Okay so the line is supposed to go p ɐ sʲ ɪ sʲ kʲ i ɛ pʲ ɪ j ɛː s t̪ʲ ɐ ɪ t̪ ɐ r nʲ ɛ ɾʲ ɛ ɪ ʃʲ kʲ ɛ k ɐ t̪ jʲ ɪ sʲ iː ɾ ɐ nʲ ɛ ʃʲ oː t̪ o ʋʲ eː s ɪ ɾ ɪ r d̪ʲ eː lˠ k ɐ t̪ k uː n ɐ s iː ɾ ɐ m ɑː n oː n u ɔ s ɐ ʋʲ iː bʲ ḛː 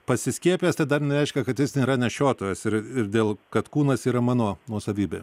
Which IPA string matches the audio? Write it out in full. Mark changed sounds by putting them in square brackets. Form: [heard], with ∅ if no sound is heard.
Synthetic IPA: p ɐ sʲ ɪ sʲ kʲ i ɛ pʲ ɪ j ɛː s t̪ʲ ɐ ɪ [d̪] ɐ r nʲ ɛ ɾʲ ɛ ɪ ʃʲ kʲ ɛ k ɐ t̪ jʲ ɪ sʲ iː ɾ ɐ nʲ ɛ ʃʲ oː t̪ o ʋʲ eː s ɪ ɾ ɪ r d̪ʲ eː lˠ k ɐ t̪ k uː n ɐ s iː ɾ ɐ m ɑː n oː n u ɔ s ɐ ʋʲ iː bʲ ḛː